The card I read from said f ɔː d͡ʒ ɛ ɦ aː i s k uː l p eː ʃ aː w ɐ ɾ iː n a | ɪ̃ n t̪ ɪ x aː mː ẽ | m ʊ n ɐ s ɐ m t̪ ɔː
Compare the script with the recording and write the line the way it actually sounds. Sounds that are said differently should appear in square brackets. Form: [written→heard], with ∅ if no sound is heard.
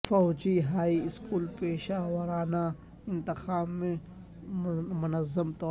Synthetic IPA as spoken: f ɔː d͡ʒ [ɛ→i] ɦ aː i s k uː l p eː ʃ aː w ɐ ɾ [iː→aː] n a | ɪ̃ n t̪ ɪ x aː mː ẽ | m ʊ n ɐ [s→z] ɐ m t̪ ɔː